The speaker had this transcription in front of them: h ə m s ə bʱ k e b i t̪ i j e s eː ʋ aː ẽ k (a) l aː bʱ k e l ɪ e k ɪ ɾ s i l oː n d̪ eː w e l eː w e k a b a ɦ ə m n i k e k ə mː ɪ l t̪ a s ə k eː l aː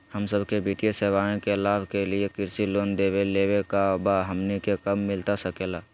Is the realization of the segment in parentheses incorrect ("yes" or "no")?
yes